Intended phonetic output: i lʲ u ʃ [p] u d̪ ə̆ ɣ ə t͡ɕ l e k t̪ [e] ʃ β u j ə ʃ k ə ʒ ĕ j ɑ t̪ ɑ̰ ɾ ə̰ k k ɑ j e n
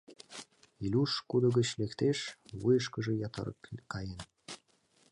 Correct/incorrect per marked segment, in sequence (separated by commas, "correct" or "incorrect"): incorrect, correct